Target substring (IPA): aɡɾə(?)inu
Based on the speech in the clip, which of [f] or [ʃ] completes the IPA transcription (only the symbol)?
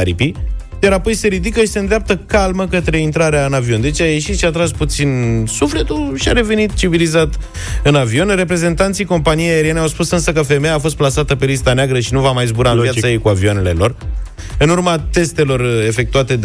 ʃ